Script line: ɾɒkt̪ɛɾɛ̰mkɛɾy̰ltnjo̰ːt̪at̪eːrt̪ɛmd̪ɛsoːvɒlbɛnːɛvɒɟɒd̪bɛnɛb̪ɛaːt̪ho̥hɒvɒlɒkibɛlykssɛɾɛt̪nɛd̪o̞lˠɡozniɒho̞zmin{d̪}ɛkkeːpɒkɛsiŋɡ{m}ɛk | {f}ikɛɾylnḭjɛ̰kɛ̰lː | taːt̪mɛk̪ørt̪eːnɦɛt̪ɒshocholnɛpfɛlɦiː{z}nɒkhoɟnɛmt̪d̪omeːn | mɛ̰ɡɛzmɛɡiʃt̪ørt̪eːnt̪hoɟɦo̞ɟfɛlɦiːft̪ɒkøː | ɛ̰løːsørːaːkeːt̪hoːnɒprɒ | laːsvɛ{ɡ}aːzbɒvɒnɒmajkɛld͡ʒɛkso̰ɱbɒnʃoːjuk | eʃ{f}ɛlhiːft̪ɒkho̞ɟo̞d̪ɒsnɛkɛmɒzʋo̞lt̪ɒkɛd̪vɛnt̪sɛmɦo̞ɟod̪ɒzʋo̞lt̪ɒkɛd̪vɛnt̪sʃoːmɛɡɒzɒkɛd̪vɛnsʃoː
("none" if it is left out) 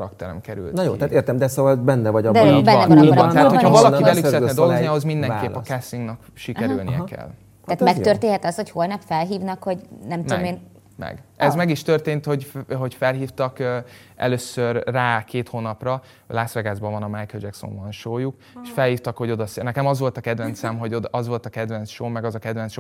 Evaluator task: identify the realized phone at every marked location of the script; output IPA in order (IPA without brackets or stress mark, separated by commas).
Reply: d̪, n, ʃ, v, ɡ, f